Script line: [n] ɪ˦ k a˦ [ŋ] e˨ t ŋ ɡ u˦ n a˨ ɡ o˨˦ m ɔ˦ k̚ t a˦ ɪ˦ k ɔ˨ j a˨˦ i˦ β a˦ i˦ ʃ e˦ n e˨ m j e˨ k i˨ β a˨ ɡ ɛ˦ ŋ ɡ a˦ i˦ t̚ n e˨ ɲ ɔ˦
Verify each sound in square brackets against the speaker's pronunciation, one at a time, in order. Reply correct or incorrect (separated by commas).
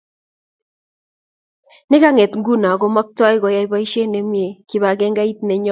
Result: correct, correct